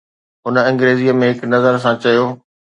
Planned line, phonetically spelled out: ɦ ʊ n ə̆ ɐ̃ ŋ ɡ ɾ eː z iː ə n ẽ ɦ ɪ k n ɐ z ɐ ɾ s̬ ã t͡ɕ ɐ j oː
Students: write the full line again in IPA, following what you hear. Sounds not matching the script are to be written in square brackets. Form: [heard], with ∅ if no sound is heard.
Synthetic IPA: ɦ ʊ n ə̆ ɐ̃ ŋ ɡ ɾ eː z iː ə [m] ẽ ɦ ɪ k n ɐ z [ə] ɾ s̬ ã t͡ɕ ɐ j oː